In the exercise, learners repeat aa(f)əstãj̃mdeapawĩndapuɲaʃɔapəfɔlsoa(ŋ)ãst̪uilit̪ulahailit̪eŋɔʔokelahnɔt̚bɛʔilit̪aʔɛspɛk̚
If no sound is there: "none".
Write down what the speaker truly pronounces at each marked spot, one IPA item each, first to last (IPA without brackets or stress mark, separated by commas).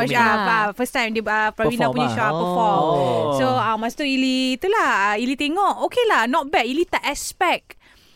f, m